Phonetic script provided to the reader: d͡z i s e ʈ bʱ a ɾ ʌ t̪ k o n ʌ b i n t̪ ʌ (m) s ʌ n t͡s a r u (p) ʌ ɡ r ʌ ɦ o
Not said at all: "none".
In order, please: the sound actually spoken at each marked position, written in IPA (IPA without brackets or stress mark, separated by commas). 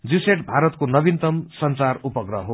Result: m, p